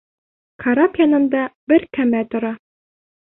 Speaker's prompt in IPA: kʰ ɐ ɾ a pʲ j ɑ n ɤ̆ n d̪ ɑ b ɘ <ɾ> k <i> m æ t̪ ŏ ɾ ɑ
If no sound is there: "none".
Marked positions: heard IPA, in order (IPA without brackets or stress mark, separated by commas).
ɾ, æ